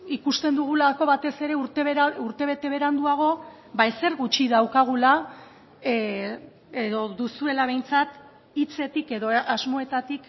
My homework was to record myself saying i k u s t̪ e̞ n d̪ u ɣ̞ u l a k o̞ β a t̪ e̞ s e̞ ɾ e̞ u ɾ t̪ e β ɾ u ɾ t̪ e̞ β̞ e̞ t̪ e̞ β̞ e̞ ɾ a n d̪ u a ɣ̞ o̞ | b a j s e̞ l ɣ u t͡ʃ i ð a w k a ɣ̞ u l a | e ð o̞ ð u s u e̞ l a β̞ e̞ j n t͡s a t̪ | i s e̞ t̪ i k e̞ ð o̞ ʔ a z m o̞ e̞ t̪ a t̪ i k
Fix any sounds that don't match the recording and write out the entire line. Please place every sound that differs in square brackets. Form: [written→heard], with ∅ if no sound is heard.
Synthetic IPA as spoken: i k u s t̪ e̞ n d̪ u ɣ̞ u l a k o̞ β a t̪ e̞ s e̞ ɾ e̞ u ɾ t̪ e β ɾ u ɾ t̪ e̞ β̞ e̞ t̪ e̞ β̞ e̞ ɾ a n d̪ u a ɣ̞ o̞ | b a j s e̞ [l→ɾ] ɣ u t͡ʃ i ð a w k a ɣ̞ u l a | e ð o̞ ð u s u e̞ l a β̞ e̞ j n t͡s a t̪ | i [s→t͡s] e̞ t̪ i k e̞ ð o̞ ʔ a z m o̞ e̞ t̪ a t̪ i k